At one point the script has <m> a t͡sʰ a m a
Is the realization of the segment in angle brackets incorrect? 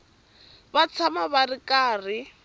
yes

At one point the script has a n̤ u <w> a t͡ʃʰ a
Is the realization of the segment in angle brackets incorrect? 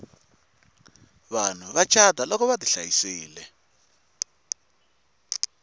yes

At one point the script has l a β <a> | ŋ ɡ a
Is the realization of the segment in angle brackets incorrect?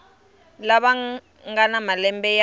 no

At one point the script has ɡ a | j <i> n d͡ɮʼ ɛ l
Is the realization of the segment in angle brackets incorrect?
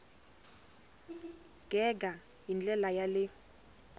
no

